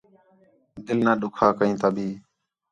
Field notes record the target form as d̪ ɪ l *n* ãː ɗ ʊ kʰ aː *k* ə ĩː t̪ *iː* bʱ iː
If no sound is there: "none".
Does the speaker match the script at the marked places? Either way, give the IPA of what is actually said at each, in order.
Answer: n, k, aː

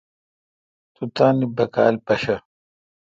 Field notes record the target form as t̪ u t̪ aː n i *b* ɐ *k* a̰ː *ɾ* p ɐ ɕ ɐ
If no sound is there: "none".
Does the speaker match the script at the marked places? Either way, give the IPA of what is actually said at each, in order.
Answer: b, k, l

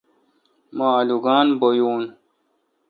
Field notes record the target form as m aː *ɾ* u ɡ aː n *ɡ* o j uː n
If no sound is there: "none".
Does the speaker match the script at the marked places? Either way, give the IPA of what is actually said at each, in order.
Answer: l, b

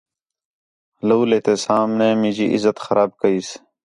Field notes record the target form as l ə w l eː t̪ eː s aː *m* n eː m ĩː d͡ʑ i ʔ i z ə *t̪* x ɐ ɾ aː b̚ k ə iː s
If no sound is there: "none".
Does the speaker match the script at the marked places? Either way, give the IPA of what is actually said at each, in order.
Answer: m, t̪

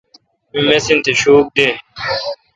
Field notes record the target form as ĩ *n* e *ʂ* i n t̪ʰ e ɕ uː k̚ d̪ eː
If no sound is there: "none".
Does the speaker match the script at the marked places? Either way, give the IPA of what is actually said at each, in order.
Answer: m, s

